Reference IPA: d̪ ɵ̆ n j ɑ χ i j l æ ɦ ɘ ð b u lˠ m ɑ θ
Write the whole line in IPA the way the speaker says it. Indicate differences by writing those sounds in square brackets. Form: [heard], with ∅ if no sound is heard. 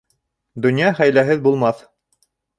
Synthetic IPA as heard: d̪ ɵ̆ n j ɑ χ [æ] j l æ ɦ ɘ ð b u lˠ m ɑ θ